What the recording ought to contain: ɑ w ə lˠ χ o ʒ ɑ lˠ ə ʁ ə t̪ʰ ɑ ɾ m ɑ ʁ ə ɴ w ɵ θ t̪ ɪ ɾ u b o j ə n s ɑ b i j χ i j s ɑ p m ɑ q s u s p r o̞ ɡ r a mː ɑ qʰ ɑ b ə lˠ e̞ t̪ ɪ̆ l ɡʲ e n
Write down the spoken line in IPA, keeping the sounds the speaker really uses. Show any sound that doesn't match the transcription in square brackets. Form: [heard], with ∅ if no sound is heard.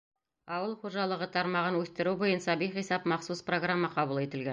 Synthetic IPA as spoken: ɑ w ə lˠ χ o ʒ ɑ lˠ ə ʁ ə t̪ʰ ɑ ɾ m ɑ ʁ ə [n] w ɵ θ t̪ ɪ ɾ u b o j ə n s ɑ b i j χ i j s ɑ p m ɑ q s u s p r o̞ ɡ r a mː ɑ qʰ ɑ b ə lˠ e̞ t̪ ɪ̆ l ɡʲ e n